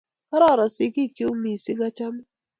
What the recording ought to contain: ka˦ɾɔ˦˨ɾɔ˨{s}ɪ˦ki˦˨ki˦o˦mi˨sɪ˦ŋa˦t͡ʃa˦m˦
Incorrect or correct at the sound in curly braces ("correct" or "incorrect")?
correct